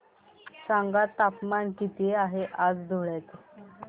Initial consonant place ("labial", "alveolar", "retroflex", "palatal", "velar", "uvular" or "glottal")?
alveolar